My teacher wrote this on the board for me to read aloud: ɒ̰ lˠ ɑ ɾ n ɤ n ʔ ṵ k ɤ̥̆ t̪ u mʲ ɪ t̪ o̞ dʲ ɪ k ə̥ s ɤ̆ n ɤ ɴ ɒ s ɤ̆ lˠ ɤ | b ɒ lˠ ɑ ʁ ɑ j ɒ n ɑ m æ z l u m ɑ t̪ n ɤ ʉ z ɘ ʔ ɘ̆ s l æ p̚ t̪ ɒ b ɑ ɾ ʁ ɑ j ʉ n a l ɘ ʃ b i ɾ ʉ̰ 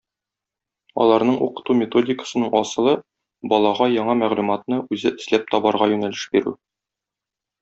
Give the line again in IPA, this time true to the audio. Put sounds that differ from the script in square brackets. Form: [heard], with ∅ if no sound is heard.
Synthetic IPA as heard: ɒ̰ lˠ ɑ ɾ n ɤ [ɴ] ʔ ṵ [q] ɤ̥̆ t̪ u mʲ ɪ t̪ o̞ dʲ ɪ k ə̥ s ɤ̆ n ɤ ɴ ɒ s ɤ̆ lˠ ɤ | b ɒ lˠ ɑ ʁ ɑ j ɒ [ɴ] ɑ m æ [ʁ] l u m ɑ t̪ n ɤ ʉ z ɘ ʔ ɘ̆ s l æ p̚ t̪ ɒ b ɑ ɾ ʁ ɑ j ʉ n [æ] l ɘ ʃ b i ɾ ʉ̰